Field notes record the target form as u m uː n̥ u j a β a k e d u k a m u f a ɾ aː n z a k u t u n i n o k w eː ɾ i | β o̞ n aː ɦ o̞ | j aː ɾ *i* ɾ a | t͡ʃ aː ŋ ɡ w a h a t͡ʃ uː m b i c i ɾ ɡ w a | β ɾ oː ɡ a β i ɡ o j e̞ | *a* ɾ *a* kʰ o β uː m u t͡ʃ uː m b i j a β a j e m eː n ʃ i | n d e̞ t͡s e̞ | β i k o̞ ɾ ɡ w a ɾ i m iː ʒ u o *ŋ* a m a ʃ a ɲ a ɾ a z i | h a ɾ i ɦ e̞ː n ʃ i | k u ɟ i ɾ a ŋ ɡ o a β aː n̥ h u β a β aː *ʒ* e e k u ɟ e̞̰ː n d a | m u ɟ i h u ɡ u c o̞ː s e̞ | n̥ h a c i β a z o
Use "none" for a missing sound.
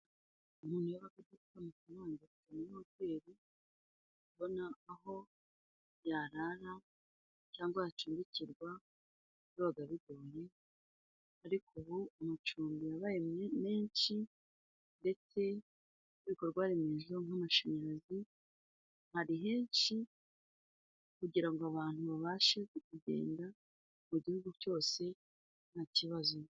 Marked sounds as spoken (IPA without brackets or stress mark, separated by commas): a, a, i, ŋ, ʃ